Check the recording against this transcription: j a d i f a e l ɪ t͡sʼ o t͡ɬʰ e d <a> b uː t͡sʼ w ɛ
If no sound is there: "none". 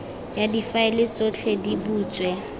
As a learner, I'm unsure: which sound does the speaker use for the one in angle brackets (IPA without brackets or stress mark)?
i